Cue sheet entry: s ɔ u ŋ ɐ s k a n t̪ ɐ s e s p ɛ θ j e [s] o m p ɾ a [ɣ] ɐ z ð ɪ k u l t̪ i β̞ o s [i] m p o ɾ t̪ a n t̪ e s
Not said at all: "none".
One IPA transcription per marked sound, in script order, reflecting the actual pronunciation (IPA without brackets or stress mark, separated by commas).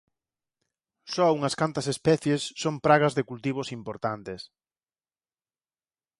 sː, ɣ, i